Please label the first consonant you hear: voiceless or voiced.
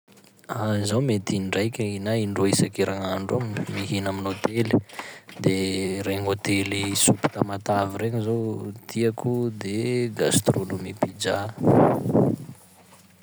voiced